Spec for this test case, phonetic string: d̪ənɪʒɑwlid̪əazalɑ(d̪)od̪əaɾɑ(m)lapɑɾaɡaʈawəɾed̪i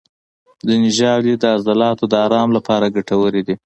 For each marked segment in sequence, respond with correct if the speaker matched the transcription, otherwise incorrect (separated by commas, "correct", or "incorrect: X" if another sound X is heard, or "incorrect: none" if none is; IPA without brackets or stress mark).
incorrect: t̪, correct